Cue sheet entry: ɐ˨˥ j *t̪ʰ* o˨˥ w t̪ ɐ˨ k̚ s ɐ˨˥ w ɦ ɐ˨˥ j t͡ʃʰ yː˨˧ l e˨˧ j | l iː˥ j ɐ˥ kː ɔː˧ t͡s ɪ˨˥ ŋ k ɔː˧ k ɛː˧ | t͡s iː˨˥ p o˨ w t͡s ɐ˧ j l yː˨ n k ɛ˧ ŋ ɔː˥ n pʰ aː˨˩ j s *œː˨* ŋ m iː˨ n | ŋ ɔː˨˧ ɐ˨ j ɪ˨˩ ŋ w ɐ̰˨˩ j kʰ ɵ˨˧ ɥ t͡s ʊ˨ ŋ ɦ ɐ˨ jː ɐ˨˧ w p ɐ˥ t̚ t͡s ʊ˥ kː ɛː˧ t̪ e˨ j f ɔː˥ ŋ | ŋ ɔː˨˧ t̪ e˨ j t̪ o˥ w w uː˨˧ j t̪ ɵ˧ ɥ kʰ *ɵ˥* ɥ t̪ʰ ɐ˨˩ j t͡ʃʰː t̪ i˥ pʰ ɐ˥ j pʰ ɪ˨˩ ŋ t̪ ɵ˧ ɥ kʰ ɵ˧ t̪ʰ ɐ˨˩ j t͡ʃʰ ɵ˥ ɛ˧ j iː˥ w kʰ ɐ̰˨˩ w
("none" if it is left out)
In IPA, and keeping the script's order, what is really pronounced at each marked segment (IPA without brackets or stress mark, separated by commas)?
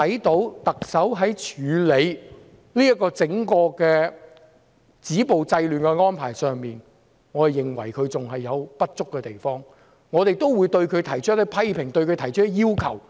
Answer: t̪, œː˨, ɵ˨˧